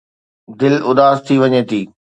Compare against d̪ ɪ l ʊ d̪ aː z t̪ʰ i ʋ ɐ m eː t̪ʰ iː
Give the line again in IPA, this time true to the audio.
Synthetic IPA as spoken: d̪ ɪ l ʊ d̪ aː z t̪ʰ i ʋ ɐ ɲ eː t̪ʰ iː